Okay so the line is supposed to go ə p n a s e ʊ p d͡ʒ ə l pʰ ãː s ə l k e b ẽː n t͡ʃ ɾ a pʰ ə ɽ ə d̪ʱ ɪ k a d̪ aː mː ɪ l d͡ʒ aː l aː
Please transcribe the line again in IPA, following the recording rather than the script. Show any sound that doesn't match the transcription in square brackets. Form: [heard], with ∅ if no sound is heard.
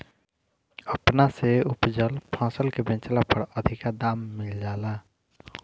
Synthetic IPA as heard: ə p n a s e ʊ p d͡ʒ ə l pʰ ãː s ə l k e b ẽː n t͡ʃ [l] a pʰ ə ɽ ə d̪ʱ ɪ k a d̪ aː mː ɪ l d͡ʒ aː l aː